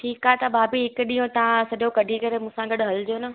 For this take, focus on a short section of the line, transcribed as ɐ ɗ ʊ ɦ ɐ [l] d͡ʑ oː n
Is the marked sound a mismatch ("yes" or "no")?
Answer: no